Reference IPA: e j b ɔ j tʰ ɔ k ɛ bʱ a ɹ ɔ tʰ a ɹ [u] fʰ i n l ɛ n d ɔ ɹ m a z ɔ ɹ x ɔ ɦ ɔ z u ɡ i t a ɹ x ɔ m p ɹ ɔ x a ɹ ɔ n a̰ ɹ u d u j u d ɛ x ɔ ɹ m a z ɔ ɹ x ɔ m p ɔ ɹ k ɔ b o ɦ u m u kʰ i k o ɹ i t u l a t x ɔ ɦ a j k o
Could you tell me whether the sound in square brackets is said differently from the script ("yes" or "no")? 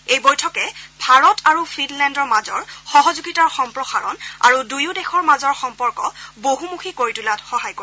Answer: no